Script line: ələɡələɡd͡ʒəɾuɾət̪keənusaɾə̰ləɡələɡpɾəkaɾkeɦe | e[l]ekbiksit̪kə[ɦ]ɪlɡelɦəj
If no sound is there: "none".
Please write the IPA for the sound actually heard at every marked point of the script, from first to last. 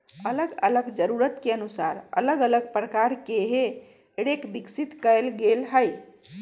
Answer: ɽ, none

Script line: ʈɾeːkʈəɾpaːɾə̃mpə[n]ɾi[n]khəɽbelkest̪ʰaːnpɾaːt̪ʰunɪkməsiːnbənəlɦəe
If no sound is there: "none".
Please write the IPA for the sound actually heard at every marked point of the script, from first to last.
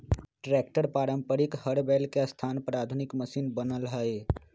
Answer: none, none

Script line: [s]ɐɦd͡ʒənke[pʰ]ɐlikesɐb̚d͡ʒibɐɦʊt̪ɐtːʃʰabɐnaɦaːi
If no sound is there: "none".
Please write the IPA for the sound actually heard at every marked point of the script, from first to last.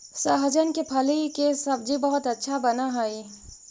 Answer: s, pʰ

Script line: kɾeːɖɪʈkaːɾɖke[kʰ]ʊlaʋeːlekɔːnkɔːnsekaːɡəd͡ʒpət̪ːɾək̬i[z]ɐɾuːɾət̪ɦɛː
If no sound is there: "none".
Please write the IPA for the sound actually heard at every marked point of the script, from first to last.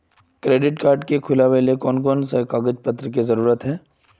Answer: kʰ, z

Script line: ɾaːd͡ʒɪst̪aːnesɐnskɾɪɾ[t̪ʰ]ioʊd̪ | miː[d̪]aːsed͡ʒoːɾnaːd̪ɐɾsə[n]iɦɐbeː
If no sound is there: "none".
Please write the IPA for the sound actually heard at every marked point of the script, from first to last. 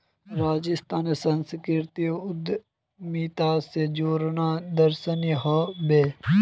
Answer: t̪, t̪, n

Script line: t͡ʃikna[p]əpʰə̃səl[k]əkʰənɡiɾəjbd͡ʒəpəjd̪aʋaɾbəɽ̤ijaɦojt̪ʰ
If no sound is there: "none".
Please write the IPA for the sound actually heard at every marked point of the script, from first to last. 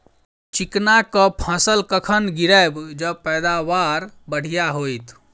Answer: k, k

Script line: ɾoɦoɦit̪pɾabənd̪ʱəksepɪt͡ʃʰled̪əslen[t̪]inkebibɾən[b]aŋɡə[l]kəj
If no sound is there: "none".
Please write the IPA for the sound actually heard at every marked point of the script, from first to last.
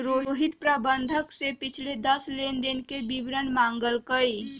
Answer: d̪, m, l

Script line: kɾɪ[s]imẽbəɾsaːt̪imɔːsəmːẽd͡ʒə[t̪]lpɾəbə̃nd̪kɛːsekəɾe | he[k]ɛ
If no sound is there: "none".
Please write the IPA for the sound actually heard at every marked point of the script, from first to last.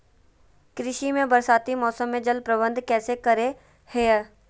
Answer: ʃ, none, none

